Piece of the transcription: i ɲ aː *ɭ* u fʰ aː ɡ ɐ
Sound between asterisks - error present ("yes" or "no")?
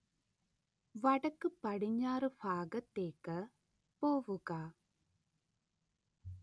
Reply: yes